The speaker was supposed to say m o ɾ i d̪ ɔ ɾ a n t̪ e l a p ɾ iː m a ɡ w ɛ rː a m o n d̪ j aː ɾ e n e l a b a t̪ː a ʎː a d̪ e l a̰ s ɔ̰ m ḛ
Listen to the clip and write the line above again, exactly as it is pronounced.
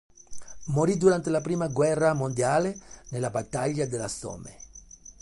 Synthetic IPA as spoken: m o ɾ i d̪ u ɾ a n t̪ e l a p ɾ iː m a ɡ w ɛ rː a m o n d̪ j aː l e n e l a b a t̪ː a ʎː a d̪ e l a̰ s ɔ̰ m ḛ